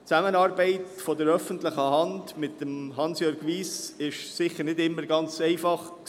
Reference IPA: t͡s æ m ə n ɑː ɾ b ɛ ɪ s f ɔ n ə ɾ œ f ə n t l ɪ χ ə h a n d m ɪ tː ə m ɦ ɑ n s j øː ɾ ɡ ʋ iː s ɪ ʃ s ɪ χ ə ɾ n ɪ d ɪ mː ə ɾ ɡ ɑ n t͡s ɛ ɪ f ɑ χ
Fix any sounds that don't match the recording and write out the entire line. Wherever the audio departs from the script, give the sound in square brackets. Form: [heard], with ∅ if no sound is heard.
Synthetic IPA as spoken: t͡s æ m ə n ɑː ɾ b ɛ ɪ [t] f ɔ [d] ə ɾ œ f ə n t l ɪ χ ə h [ɑ] n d m ɪ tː ə m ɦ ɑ n s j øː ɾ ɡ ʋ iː s ɪ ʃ s ɪ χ ə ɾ n ɪ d ɪ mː ə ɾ ɡ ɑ n t͡s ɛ ɪ f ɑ χ